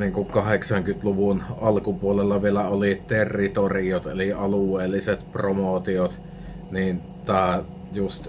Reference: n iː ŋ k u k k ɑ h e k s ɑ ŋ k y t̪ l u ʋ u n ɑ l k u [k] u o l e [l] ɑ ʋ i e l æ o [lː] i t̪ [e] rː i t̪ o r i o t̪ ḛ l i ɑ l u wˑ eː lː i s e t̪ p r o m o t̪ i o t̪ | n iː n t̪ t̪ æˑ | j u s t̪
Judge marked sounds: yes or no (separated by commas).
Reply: no, no, no, yes